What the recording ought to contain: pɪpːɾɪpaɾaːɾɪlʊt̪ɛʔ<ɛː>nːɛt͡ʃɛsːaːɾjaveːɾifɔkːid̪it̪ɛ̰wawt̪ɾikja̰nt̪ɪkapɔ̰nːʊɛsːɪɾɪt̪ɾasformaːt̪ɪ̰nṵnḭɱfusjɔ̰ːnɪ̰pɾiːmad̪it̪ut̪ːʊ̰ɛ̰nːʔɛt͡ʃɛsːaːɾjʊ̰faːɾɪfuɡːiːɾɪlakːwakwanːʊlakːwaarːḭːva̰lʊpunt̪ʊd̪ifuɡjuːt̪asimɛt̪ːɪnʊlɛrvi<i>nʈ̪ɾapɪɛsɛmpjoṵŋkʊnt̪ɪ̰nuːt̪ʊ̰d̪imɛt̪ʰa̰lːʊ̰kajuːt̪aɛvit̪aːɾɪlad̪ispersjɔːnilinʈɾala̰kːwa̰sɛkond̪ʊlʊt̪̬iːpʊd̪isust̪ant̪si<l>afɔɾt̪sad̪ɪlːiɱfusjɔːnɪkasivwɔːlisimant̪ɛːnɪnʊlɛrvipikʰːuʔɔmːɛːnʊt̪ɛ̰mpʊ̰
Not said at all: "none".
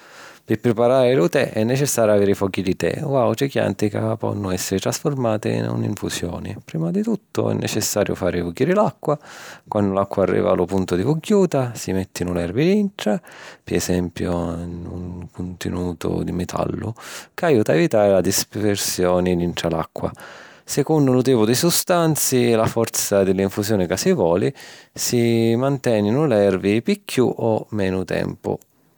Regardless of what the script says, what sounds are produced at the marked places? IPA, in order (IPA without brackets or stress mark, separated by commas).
ɛ, i, l